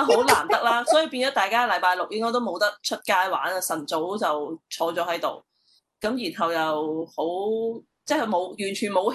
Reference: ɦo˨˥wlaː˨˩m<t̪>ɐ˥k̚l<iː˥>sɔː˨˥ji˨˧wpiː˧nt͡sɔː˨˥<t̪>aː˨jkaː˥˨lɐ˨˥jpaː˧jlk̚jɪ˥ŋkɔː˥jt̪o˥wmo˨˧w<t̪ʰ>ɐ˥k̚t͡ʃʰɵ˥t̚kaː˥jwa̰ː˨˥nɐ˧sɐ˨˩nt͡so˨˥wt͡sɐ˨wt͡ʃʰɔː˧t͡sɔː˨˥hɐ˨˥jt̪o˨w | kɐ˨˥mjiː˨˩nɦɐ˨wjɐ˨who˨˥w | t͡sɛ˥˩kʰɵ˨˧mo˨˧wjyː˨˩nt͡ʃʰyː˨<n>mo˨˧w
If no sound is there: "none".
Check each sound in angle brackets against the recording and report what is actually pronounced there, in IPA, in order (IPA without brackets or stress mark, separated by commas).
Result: t̪, aː˥, t̪, t̪, n